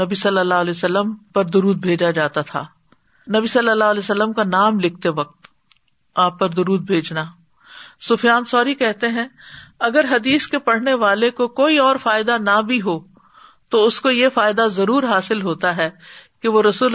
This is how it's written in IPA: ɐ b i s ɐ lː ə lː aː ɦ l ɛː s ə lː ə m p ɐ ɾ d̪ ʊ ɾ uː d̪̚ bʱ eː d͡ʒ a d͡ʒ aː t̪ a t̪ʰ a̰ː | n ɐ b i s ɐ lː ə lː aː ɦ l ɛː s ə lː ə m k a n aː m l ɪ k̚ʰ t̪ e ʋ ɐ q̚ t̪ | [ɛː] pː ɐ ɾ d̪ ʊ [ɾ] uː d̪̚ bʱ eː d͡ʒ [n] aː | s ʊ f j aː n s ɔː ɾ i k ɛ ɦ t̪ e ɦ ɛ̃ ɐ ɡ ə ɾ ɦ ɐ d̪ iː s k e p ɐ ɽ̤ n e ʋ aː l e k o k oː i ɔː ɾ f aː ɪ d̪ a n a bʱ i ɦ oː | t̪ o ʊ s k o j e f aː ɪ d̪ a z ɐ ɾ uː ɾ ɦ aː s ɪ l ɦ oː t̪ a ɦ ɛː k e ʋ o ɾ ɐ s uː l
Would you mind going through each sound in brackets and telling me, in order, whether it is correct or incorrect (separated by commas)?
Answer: incorrect, correct, correct